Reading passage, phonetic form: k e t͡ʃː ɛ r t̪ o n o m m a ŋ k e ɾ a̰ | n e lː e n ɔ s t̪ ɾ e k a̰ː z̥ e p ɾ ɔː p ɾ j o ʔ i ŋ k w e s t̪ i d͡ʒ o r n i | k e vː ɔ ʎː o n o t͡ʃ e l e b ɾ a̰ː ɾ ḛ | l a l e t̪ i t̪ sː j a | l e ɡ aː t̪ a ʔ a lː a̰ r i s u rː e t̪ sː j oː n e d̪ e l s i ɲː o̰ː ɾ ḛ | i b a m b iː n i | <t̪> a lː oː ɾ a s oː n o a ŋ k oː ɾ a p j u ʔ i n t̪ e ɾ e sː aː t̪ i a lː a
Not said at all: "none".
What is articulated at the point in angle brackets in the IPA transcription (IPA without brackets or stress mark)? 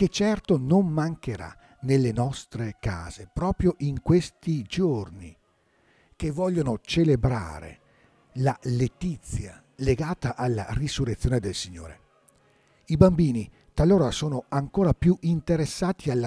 t̪